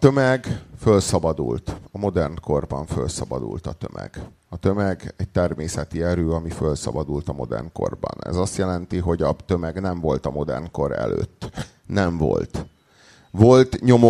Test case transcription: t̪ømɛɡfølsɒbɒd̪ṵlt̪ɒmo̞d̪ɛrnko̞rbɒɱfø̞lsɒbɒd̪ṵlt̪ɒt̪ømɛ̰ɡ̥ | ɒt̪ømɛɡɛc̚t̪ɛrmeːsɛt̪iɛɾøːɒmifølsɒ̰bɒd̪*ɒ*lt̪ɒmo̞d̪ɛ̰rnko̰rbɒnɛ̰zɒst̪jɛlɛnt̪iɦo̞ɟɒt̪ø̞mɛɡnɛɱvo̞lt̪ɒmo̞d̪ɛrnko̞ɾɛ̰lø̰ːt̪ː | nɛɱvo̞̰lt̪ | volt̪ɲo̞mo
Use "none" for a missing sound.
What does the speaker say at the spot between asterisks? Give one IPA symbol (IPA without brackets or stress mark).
u